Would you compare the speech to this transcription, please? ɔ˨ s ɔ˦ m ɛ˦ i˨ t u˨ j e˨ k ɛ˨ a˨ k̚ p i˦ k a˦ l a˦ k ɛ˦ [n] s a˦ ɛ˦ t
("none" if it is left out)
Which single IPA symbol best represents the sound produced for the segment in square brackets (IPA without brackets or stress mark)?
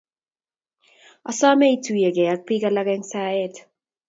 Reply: ŋ